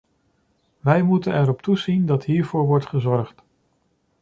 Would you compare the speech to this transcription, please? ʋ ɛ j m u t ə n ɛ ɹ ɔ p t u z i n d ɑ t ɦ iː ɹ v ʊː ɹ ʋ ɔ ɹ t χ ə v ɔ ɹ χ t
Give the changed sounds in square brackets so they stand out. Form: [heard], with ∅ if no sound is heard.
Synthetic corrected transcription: ʋ ɛ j m u t ə n ɛ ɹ ɔ p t u z i n d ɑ t ɦ iː ɹ v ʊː ɹ ʋ ɔ ɹ t χ ə [z] ɔ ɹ χ t